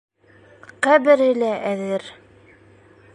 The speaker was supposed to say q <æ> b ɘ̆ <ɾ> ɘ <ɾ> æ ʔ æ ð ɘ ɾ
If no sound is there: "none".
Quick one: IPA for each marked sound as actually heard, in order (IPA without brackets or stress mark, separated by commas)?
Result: æ, ɾ, l